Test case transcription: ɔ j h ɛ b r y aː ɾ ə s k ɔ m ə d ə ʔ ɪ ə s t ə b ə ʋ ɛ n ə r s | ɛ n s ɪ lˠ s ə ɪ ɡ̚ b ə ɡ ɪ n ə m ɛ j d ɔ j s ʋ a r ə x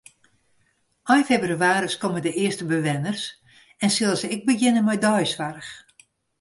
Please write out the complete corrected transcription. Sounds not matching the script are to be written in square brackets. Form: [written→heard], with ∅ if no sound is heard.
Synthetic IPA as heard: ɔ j [h→f] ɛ b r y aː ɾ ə s k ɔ m ə d ə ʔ ɪ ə s t ə b ə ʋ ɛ n ə r s | ɛ n s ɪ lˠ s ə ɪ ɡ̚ b ə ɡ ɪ n ə m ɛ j d ɔ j s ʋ a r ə x